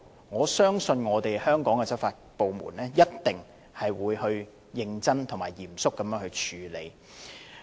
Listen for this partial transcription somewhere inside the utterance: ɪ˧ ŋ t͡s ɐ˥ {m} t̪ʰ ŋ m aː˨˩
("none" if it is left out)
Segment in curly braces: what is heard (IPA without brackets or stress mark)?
n